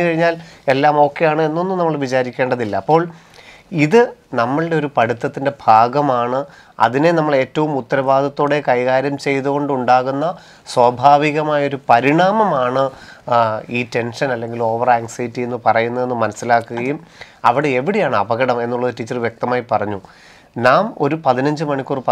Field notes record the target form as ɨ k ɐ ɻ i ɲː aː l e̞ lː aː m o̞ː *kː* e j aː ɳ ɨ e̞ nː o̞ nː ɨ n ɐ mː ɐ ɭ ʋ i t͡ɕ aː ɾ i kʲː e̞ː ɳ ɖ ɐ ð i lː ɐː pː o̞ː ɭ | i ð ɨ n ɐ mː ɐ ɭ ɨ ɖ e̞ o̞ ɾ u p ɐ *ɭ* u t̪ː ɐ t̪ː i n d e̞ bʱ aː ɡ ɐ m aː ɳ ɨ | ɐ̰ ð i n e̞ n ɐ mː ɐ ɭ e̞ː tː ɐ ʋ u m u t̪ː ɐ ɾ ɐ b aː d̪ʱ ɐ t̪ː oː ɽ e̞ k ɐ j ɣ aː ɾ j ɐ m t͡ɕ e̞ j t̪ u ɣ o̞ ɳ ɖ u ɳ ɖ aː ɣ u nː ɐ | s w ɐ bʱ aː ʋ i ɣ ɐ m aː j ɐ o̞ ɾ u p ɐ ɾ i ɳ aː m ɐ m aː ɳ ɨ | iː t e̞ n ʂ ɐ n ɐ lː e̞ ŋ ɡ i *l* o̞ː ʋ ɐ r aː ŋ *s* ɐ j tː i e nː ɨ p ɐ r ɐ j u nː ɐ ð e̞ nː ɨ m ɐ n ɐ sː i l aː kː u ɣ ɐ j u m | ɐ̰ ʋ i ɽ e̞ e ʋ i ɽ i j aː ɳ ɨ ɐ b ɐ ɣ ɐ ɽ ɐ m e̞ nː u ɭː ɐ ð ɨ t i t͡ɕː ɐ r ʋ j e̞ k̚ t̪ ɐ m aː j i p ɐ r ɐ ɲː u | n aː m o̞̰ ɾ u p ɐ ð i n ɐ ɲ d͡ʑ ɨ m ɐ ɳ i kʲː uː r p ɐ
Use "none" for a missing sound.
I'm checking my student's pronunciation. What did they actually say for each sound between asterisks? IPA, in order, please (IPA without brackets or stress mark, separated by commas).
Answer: kː, ɽ, l, s